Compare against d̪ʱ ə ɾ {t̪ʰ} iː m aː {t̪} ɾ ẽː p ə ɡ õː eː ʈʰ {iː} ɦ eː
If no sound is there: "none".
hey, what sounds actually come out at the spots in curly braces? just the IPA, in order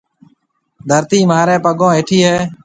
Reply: t̪, none, iː

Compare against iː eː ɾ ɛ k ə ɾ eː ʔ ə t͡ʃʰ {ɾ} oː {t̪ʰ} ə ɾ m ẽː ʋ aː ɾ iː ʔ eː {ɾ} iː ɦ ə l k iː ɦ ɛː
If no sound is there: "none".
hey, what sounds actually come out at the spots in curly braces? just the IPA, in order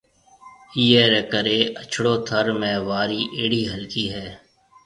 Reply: ɽ, t̪ʰ, ɽ

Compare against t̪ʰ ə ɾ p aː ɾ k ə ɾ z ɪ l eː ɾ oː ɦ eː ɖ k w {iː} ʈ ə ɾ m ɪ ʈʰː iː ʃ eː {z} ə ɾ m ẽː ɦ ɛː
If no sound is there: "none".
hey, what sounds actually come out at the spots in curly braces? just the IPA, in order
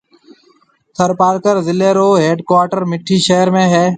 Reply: aː, none

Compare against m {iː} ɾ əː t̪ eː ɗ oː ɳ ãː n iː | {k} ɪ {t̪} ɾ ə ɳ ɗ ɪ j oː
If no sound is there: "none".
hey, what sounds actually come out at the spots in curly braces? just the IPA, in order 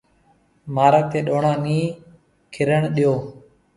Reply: aː, kʰ, none

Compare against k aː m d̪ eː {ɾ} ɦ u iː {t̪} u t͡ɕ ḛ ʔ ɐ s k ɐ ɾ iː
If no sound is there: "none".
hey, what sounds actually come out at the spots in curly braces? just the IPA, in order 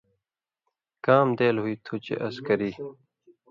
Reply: l, t̪ʰ

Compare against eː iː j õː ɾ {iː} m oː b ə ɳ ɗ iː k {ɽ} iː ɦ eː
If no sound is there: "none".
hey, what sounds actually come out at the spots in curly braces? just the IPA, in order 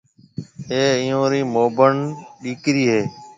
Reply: iː, ɾ

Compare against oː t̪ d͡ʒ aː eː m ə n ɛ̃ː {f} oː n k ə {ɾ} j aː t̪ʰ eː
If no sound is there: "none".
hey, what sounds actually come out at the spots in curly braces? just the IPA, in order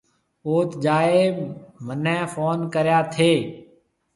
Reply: f, ɾ

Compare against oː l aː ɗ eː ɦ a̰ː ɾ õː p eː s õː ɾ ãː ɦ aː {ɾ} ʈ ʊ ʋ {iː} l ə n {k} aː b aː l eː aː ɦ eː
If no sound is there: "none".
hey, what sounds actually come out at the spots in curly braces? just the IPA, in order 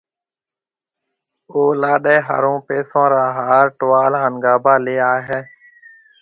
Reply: ɾ, aː, ɡ

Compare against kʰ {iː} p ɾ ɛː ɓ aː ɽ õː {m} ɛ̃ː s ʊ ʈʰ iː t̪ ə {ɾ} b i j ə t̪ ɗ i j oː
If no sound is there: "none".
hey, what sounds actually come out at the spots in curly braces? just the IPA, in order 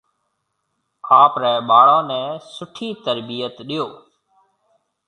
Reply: aː, n, ɾ

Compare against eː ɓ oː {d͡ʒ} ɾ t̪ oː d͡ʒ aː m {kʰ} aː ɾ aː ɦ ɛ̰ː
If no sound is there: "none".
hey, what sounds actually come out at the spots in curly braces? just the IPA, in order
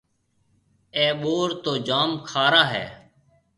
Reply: none, kʰ

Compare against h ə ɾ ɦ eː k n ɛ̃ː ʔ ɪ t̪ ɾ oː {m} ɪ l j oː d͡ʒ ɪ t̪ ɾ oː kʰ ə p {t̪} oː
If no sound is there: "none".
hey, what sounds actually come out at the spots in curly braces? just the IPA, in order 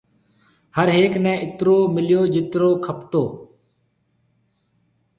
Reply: m, t̪

